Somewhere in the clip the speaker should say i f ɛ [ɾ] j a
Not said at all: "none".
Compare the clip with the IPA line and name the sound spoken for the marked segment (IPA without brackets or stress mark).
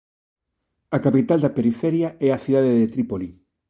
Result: ɾ